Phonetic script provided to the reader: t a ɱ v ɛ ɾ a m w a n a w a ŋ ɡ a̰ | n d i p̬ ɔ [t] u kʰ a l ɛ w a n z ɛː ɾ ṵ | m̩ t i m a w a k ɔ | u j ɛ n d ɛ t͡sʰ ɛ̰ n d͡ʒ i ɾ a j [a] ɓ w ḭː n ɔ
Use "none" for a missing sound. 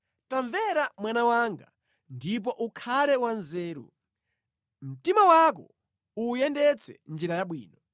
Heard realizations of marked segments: ʔ, a

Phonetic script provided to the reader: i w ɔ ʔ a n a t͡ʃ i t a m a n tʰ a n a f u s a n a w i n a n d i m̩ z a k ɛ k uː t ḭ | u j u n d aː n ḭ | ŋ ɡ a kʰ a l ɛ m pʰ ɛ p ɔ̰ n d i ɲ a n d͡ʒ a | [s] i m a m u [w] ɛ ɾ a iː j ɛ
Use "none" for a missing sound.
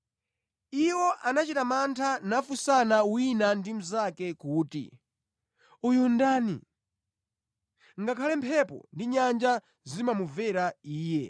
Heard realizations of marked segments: z, v

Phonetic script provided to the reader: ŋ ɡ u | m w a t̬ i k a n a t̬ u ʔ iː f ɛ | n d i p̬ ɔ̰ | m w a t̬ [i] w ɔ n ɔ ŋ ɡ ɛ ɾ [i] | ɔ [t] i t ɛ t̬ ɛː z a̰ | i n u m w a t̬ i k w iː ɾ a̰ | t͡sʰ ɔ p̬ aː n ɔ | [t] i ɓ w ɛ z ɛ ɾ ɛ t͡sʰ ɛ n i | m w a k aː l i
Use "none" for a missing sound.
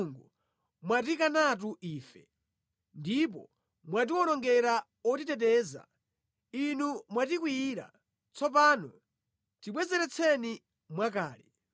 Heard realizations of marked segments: i, a, t, t

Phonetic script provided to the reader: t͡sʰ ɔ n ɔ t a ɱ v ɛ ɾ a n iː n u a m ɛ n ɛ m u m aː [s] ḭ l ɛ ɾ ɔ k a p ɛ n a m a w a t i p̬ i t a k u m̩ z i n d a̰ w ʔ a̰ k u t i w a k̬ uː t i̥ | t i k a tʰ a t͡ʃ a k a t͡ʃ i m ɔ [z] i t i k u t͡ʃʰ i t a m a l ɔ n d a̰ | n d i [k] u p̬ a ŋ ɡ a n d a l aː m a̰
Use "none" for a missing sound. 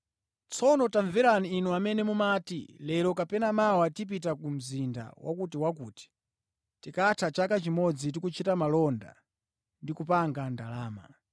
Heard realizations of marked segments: t, d͡z, k

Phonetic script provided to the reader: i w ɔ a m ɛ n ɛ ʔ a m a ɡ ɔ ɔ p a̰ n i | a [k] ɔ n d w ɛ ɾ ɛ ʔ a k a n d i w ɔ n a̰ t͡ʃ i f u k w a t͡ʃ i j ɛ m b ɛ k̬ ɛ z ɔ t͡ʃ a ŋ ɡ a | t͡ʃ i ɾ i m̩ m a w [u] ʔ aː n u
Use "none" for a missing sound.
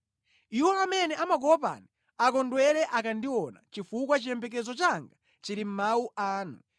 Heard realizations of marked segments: k, u

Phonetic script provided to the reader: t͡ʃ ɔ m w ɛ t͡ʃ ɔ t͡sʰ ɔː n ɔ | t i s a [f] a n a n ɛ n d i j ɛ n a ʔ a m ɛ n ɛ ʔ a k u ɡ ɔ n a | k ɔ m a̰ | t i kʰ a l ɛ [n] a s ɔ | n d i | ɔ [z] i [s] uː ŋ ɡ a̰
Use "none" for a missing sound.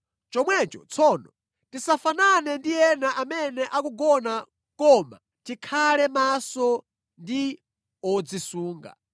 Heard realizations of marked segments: f, m, d͡z, s

